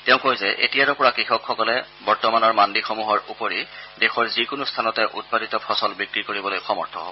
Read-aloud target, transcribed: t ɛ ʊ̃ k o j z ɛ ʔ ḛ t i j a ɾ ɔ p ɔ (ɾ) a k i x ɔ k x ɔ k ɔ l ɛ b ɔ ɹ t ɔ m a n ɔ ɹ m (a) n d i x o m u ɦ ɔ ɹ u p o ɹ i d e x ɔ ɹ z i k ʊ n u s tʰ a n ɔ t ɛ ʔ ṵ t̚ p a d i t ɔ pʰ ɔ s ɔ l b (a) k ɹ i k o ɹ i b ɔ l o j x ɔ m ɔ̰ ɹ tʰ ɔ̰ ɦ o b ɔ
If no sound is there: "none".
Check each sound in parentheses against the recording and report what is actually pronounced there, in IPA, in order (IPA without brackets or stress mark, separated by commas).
ɹ, a, i